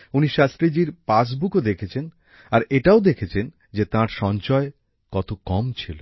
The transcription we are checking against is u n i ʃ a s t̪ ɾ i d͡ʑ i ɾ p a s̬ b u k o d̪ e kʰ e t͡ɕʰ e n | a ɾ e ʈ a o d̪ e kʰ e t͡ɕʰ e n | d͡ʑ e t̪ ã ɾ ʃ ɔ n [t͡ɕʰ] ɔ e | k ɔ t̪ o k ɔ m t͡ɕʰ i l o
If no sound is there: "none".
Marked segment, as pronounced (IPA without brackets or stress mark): t͡ɕ